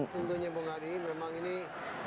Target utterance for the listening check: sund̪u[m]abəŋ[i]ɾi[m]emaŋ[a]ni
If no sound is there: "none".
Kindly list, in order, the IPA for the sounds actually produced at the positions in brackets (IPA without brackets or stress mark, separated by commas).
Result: ɲ, a, m, i